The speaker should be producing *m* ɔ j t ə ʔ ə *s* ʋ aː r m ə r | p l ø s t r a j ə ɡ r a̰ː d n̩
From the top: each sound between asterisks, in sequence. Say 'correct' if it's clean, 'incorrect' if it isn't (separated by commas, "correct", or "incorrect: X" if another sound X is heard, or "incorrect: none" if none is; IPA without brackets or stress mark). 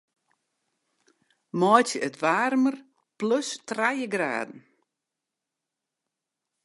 correct, incorrect: t